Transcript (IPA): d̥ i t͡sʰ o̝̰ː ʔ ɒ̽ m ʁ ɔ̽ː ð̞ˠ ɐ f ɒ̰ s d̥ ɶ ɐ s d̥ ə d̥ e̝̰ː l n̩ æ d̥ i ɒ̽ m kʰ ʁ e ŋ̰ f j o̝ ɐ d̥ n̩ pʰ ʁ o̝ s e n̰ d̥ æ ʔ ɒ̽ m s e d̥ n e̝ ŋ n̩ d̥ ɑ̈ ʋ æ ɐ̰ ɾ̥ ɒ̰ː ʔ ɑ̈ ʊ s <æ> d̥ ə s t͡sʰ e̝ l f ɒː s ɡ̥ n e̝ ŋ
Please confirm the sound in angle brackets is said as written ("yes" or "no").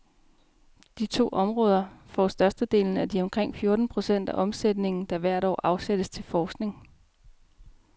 no